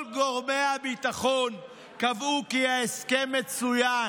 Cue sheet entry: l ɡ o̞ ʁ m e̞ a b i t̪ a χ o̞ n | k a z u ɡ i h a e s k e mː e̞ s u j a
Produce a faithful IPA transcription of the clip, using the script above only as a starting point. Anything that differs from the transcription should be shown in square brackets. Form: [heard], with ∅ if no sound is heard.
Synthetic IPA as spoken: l ɡ o̞ ʁ m e̞ a b i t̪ a χ o̞ n | k a [v] u [k] i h a e s k e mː e̞ [t͡s] u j a